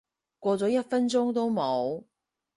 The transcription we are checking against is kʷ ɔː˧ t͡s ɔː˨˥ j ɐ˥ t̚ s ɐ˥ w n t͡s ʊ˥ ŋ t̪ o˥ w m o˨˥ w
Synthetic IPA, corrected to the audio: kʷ ɔː˧ t͡s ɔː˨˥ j ɐ˥ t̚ f ɐ˥ n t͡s ʊ˥ ŋ t̪ o˥ w m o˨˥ w